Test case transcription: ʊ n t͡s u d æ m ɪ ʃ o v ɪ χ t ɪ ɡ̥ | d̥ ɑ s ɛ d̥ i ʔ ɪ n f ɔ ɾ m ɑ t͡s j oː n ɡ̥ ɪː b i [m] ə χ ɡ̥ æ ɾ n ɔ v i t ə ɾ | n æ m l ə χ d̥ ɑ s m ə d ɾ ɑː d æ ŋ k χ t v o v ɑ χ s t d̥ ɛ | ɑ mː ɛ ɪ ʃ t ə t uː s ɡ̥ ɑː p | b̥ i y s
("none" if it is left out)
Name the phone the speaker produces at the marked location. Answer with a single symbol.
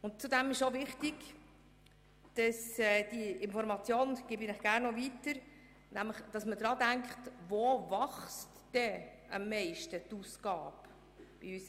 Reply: n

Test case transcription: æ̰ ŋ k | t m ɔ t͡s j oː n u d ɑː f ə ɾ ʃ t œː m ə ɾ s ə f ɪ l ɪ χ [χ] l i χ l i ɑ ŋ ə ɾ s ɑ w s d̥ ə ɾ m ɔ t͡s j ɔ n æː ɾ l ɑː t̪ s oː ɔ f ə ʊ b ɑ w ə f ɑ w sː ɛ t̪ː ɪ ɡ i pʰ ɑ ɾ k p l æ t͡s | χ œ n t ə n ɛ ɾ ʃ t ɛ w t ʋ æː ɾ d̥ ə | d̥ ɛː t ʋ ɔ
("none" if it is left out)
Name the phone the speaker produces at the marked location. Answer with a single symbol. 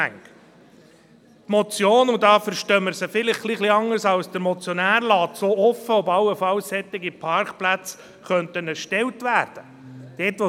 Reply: χ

